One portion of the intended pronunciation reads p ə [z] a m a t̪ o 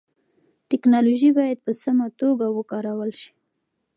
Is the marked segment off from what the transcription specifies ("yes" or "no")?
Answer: yes